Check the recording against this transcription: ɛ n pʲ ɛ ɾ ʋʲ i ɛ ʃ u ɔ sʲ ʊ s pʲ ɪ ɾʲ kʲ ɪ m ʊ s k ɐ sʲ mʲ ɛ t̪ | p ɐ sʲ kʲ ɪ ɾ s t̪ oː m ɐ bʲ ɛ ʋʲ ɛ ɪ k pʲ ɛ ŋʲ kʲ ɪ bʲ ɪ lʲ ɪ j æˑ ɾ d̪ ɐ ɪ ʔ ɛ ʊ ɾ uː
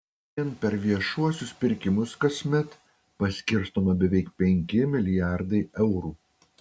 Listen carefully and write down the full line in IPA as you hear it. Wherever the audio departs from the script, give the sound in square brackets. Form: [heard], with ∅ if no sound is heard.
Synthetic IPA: ɛ n pʲ ɛ ɾ ʋʲ i ɛ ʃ u ɔ sʲ ʊ s pʲ ɪ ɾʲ kʲ ɪ m ʊ s k ɐ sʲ mʲ ɛ t̪ | p ɐ sʲ kʲ ɪ ɾ s t̪ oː m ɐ bʲ ɛ ʋʲ ɛ ɪ k pʲ ɛ ŋʲ kʲ ɪ [mʲ] ɪ lʲ ɪ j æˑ ɾ d̪ ɐ ɪ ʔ ɛ ʊ ɾ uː